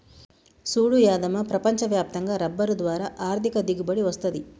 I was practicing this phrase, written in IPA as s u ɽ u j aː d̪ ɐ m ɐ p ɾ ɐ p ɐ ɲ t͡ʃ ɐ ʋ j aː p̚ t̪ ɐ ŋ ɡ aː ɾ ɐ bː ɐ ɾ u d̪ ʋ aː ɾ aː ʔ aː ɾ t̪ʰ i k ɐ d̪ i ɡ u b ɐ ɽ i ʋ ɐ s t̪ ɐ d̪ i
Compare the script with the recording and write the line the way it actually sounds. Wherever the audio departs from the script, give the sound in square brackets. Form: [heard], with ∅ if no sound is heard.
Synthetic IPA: s [uː] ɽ u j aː d̪ ɐ m ɐ p ɾ ɐ p ɐ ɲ t͡ʃ ɐ ʋ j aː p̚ t̪ ɐ ŋ ɡ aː ɾ ɐ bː ɐ ɾ u d̪ ʋ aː ɾ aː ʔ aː ɾ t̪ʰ i k ɐ d̪ i ɡ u b ɐ ɽ i ʋ ɐ s t̪ ɐ d̪ i